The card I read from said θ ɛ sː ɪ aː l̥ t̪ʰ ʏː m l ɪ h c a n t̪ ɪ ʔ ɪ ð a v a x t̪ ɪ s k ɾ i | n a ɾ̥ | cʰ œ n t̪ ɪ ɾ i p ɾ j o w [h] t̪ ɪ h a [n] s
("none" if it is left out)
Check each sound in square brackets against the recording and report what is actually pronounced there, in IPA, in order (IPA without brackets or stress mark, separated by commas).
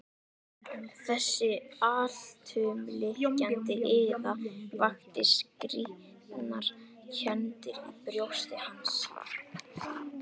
s, n